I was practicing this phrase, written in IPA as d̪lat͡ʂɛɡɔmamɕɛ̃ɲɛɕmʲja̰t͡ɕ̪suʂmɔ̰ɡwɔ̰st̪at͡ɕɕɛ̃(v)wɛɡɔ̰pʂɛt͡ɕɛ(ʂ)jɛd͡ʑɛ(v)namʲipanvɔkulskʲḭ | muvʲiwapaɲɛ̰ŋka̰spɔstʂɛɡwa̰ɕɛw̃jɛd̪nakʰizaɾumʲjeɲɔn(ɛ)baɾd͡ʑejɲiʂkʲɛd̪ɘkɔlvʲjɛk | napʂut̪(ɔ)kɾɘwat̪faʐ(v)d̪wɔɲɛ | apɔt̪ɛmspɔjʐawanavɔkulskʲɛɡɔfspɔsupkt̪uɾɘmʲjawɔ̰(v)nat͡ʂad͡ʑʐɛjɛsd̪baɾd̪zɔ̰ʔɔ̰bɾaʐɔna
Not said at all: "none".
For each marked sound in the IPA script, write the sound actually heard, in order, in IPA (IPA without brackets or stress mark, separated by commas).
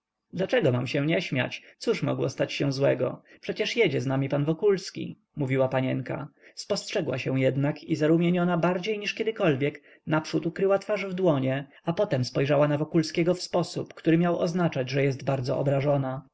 z, ʂ, z, a, u, v, z